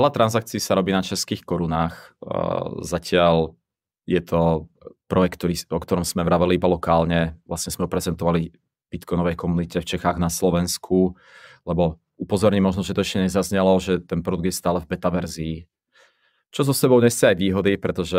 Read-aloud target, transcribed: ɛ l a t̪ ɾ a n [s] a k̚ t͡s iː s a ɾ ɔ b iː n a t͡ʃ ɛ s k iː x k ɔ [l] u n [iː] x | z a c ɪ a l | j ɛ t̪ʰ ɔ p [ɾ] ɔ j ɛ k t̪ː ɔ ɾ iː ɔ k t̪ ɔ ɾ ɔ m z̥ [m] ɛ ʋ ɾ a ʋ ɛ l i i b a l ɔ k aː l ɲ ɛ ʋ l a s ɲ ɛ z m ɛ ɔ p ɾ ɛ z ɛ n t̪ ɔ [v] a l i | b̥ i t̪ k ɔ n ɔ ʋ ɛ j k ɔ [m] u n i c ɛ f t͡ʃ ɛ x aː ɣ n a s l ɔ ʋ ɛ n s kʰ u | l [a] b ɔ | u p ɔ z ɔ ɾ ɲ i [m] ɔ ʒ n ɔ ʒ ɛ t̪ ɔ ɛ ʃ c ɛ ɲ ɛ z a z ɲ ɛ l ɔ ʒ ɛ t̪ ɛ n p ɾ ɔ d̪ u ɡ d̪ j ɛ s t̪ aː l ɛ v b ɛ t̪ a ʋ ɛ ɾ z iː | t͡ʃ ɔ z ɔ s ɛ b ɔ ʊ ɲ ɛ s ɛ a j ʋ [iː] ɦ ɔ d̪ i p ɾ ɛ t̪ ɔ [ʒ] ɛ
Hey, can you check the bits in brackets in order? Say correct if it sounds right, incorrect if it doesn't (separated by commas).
incorrect, incorrect, incorrect, correct, correct, incorrect, correct, incorrect, correct, correct, correct